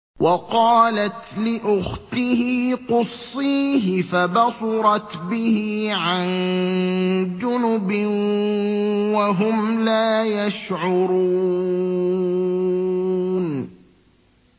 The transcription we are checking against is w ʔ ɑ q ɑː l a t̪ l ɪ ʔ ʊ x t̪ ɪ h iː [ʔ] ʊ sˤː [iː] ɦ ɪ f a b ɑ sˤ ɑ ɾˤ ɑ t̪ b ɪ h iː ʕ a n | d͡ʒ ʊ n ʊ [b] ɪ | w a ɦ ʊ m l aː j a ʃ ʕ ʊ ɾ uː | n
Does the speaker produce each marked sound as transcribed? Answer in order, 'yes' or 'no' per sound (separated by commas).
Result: no, yes, yes